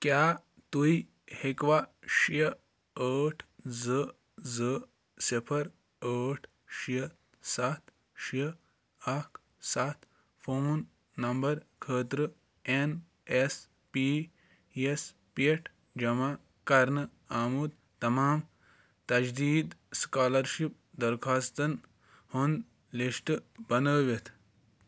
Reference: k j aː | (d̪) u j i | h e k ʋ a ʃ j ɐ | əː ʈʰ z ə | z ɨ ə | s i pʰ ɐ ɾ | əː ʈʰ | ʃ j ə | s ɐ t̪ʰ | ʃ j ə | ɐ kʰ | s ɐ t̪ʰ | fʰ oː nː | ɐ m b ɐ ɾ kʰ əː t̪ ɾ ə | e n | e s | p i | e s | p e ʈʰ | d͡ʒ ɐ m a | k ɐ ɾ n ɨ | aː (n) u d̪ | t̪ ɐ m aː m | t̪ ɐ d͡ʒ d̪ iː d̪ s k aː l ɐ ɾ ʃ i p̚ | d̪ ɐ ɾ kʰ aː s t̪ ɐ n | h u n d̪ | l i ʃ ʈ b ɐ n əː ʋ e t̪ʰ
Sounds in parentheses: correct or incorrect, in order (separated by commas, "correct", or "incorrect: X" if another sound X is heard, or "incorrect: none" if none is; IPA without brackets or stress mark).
incorrect: t̪, incorrect: m